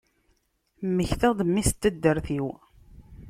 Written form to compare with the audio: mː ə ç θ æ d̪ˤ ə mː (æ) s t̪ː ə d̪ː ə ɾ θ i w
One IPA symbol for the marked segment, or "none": i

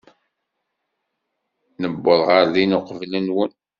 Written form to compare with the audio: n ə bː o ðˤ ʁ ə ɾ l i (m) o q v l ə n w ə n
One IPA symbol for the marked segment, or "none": n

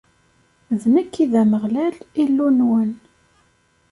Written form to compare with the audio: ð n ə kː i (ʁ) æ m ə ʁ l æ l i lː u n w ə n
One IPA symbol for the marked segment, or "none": ð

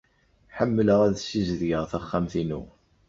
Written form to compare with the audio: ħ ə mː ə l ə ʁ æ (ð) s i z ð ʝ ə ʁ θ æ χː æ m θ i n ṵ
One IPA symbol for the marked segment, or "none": ð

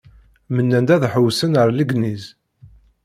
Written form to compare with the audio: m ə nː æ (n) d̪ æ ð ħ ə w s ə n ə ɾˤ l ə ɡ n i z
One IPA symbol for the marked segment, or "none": n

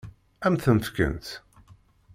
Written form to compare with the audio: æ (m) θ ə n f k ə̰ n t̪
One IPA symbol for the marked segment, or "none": m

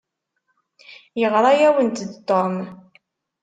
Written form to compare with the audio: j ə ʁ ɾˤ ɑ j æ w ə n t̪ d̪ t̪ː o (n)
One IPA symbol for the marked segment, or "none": m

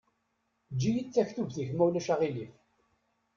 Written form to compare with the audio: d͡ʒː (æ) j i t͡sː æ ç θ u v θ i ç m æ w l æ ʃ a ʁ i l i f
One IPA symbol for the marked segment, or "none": i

